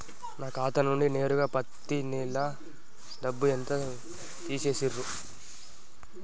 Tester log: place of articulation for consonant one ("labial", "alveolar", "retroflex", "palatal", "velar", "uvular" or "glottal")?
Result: alveolar